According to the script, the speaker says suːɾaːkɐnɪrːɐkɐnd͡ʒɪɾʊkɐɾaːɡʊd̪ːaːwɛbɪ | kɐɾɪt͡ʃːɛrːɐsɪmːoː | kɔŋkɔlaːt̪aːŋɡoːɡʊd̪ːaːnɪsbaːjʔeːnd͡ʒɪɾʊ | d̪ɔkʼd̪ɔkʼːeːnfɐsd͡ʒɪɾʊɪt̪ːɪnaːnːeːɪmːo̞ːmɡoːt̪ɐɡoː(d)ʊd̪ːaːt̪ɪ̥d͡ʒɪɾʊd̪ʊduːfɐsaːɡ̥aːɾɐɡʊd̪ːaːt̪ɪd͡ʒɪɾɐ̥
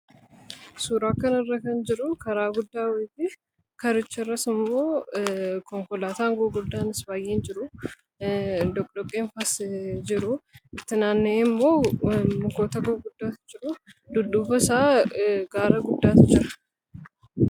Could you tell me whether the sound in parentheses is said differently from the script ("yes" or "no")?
yes